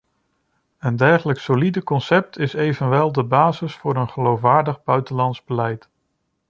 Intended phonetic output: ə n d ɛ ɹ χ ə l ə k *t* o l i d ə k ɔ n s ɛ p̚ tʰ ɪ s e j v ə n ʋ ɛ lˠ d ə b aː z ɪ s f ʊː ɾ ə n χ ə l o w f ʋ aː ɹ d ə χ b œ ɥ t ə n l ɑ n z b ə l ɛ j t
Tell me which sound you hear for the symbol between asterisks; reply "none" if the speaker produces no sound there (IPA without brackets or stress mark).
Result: s